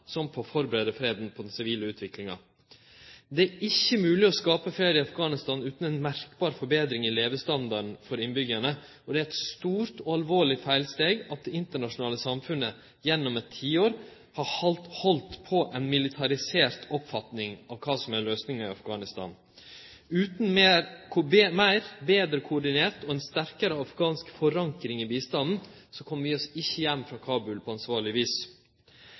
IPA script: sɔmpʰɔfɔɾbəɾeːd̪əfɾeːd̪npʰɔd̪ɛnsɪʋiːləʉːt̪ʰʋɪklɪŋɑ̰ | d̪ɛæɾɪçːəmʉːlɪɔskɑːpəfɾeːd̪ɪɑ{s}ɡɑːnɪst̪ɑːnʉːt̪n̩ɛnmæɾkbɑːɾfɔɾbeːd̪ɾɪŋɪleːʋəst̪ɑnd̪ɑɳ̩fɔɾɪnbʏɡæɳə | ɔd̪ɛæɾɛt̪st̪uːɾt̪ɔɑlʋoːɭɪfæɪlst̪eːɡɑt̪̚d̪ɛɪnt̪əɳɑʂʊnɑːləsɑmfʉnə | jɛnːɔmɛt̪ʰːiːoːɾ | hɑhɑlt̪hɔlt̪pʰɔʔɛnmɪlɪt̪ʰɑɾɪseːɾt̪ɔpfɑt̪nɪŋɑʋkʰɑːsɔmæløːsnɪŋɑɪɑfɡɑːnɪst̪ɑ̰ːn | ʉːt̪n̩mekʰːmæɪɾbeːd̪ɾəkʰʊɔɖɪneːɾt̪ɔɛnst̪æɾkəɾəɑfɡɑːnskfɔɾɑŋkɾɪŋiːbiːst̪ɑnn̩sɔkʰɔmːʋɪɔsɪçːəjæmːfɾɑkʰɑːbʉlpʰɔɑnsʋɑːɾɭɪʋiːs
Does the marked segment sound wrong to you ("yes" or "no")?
yes